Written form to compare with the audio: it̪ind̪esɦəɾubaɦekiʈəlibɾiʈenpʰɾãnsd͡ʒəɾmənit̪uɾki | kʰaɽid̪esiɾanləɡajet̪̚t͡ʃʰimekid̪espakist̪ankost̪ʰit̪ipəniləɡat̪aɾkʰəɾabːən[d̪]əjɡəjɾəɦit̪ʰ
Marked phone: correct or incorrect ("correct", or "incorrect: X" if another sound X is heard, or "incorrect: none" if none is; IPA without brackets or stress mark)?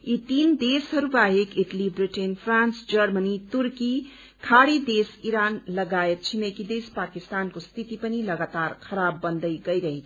correct